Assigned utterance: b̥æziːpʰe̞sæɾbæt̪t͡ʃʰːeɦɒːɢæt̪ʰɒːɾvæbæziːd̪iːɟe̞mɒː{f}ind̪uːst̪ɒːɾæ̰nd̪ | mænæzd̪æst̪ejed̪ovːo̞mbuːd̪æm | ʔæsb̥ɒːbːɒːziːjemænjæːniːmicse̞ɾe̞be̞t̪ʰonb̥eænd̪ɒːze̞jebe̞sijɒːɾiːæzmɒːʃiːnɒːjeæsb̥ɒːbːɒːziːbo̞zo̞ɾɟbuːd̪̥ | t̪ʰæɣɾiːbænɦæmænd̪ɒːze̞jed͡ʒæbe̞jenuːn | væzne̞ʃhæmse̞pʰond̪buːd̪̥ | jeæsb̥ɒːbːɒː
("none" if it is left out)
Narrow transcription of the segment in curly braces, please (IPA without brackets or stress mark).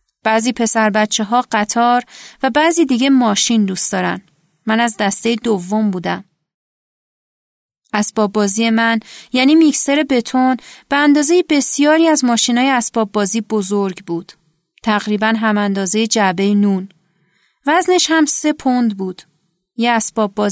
ʃ